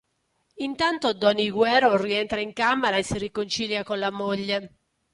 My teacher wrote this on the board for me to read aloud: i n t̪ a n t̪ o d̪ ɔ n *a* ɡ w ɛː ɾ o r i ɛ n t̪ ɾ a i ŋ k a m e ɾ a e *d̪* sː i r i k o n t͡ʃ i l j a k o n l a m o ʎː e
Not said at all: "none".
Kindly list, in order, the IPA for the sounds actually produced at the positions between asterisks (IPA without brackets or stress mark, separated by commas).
i, none